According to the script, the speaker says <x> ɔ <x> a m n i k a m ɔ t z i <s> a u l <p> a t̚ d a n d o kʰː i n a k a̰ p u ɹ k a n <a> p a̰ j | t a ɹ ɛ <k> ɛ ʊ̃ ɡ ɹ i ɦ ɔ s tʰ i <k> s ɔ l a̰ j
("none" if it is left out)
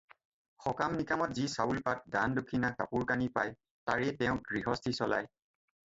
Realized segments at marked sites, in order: x, k, s, p, i, t, none

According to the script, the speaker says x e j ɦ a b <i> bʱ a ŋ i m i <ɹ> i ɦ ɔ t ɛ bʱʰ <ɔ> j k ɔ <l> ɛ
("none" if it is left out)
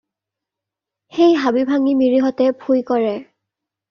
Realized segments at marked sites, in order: i, ɹ, u, ɹ

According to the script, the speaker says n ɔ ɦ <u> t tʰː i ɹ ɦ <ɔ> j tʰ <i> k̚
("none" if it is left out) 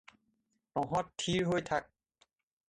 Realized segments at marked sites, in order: ɔ, o, a

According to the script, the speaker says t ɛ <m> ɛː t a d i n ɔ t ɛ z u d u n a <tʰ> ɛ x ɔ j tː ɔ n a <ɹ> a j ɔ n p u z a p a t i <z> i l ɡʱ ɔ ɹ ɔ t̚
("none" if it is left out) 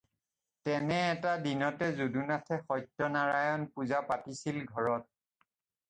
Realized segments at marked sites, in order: n, tʰ, ɹ, s

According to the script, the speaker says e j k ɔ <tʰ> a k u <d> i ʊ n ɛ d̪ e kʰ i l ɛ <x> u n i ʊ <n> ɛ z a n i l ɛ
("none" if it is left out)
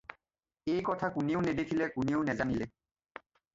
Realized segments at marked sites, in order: tʰ, n, k, n

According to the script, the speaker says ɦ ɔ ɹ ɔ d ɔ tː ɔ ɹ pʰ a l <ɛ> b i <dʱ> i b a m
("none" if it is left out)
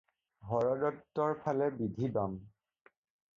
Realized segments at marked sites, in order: ɛ, dʱ

